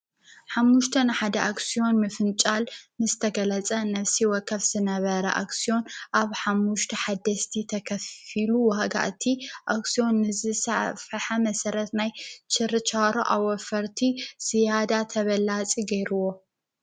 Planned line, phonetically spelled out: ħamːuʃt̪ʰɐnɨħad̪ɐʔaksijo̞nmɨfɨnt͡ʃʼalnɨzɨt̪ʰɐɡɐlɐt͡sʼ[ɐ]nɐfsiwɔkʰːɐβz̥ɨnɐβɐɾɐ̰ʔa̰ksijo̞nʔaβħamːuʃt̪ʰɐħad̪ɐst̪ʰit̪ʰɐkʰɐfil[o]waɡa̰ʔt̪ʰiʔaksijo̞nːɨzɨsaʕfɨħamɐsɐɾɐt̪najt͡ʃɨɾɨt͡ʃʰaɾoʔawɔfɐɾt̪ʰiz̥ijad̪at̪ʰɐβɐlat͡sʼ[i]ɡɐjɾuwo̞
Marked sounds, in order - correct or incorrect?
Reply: correct, incorrect, correct

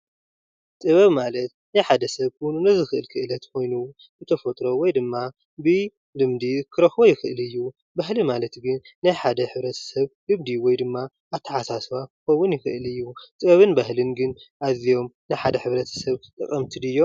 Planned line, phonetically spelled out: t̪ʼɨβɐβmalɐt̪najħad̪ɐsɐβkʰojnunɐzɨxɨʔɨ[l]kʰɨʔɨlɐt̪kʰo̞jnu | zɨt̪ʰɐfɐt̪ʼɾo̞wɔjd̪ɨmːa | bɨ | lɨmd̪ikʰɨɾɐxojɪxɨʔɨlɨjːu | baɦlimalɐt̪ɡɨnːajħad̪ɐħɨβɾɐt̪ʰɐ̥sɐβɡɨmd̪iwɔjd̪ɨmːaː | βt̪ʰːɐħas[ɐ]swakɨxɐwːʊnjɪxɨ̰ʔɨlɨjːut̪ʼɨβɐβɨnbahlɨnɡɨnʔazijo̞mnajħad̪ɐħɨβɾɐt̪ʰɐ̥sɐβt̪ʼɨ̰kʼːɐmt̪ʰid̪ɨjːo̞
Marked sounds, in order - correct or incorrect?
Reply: correct, incorrect

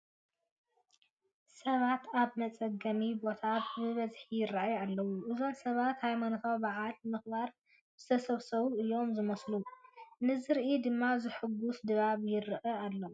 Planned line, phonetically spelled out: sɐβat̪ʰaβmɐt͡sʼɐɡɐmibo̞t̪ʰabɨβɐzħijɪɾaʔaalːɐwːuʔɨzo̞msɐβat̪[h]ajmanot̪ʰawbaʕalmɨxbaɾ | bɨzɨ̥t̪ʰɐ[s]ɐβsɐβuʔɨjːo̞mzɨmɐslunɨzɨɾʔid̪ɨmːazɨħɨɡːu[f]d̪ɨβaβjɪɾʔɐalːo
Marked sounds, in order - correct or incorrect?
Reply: correct, correct, incorrect

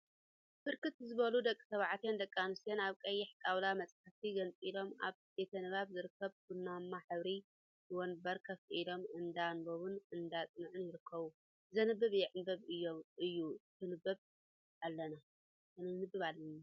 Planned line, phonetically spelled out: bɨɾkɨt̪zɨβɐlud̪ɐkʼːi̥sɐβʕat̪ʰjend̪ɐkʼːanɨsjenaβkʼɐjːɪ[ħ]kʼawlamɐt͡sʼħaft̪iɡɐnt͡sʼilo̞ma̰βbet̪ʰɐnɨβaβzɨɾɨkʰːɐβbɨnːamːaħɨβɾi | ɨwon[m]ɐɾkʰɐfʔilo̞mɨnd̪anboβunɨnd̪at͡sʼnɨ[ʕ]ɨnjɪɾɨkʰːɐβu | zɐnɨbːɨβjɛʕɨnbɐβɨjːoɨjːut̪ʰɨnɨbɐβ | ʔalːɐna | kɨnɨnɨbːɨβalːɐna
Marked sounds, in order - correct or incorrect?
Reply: correct, incorrect, correct

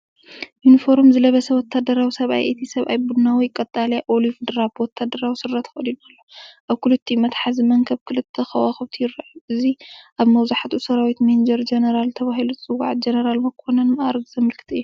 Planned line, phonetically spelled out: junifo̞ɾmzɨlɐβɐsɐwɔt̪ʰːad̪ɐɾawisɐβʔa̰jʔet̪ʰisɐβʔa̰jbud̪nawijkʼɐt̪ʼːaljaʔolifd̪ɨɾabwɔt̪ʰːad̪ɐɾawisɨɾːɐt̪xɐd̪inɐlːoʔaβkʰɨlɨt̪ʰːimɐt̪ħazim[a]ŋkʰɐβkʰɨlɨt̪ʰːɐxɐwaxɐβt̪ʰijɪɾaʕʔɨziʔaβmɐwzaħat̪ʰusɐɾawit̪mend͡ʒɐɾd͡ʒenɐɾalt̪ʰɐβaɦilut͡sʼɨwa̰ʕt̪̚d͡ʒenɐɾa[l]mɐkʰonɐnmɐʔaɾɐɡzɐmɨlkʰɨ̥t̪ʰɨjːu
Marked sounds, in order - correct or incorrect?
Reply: incorrect, correct

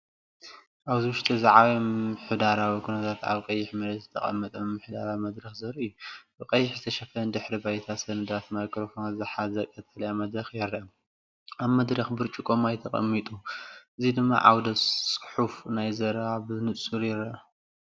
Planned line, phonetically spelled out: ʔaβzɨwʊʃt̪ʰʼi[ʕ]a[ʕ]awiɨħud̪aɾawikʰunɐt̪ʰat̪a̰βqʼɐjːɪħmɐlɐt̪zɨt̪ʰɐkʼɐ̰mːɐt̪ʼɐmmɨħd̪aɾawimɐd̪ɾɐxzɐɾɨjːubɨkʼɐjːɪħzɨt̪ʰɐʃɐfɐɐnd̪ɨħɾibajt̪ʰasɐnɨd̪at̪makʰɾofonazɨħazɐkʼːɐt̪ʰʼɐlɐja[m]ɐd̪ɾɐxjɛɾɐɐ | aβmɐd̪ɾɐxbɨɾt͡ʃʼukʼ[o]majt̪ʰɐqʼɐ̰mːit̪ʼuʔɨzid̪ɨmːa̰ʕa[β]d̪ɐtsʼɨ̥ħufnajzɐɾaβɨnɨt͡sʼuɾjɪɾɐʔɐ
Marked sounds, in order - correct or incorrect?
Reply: incorrect, correct, correct, correct, incorrect

